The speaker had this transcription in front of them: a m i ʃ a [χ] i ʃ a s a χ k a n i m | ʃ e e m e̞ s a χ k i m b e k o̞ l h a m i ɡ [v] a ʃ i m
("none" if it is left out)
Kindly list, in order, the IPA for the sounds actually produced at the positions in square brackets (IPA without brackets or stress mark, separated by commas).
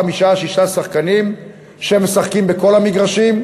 ʃ, ʁ